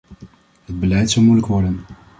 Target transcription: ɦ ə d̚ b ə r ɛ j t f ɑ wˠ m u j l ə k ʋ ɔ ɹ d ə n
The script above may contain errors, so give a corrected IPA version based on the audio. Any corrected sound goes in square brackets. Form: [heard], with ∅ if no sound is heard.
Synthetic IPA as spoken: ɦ ə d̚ b ə [l] ɛ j t [s] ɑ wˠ m u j l ə k ʋ ɔ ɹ d ə n

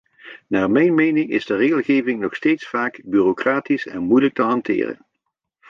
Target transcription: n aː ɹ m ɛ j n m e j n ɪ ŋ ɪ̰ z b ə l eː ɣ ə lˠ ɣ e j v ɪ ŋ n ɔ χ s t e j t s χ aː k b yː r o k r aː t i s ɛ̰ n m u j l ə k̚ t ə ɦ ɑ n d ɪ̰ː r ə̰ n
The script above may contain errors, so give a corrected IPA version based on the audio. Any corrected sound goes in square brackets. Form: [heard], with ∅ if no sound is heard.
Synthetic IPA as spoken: n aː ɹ m ɛ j n m e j n ɪ ŋ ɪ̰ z [d] ə [r] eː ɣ ə lˠ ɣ e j v ɪ ŋ n ɔ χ s t e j t s [f] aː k b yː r o k r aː t i s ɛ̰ n m u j l ə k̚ t ə ɦ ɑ n [t] ɪ̰ː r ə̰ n

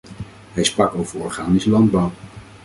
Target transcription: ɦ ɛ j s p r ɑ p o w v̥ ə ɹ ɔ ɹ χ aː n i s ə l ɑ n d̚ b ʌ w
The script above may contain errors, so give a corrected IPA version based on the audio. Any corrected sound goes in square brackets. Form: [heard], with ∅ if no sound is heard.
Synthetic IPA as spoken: ɦ ɛ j s p r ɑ [k] o w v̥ ə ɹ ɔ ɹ χ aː n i s ə l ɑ n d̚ b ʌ w

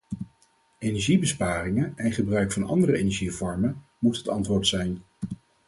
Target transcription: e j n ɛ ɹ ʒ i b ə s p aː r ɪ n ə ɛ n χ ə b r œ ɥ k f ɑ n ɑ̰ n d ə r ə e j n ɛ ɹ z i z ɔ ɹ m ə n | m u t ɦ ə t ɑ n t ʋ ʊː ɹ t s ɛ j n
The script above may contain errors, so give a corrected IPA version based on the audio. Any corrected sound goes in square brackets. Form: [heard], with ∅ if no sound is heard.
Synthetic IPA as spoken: e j n ɛ ɹ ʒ i b ə s p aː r ɪ [ŋ] ə ɛ n χ ə b r œ ɥ k f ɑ n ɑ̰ n d ə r ə e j n ɛ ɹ [ʒ] i [v] ɔ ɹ m ə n | m u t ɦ ə t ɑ n t ʋ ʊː ɹ t s ɛ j n

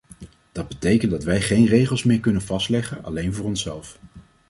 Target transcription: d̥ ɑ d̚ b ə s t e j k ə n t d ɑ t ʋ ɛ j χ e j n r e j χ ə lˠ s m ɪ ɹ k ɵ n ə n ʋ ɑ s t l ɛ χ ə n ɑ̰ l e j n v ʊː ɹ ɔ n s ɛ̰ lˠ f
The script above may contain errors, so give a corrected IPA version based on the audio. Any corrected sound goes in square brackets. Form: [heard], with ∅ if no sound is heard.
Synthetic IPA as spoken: d̥ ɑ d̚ b ə [∅] t e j k ə n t d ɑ t ʋ ɛ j χ e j n r e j χ ə lˠ s m [ɪː] ɹ k ɵ n ə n [v] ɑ s t l ɛ χ ə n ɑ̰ l e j n v ʊː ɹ ɔ n s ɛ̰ lˠ f

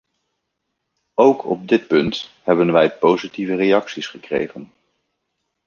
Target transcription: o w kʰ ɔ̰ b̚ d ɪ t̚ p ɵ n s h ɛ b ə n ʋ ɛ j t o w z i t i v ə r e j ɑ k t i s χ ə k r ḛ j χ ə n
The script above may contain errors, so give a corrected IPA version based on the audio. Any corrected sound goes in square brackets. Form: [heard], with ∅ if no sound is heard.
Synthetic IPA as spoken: o w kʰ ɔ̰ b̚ d ɪ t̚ p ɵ n [t] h ɛ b ə n ʋ ɛ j [p] o w z i t i v ə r e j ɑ k [s] i s χ ə k r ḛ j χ ə n

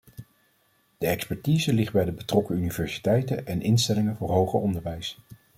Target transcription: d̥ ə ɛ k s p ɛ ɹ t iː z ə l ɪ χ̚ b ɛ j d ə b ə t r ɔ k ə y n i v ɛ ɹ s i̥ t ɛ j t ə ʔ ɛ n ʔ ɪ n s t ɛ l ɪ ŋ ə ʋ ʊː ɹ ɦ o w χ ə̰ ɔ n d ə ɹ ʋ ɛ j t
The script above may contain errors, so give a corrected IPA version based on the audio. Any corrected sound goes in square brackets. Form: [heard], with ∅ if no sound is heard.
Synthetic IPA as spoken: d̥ ə ɛ k s p ɛ ɹ t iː z ə l ɪ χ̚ b ɛ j d ə b ə t r ɔ k ə y n i v ɛ ɹ s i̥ t ɛ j t ə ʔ ɛ n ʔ ɪ n s t ɛ l ɪ ŋ ə [v] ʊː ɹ ɦ o w χ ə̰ ɔ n d ə ɹ ʋ ɛ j [s]

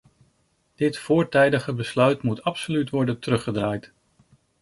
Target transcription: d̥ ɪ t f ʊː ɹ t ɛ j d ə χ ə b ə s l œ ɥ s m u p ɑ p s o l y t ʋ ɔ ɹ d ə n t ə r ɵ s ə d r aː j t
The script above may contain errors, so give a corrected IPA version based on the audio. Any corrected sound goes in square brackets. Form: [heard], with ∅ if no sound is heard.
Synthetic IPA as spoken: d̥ ɪ t f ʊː ɹ t ɛ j d ə χ ə b ə s l œ ɥ [t] m u [t] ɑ p s o l y t ʋ ɔ ɹ d ə n t ə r ɵ [χ] ə d r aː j t

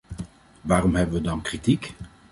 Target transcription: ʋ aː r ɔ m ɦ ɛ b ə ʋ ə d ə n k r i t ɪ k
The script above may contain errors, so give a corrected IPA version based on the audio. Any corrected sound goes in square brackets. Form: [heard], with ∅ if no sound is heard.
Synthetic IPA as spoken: ʋ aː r ɔ m ɦ ɛ b ə ʋ ə d [ɑ] n k r i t [i] k

